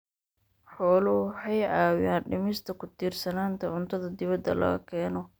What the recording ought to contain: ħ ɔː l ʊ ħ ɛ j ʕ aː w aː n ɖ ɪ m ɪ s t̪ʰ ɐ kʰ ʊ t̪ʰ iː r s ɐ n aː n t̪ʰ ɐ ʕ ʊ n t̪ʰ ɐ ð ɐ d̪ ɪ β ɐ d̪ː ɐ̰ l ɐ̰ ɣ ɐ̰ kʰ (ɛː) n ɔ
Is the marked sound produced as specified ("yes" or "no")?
yes